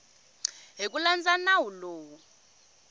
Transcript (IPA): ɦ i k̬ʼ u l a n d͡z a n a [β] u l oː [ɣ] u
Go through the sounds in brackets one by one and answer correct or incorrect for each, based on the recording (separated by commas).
incorrect, incorrect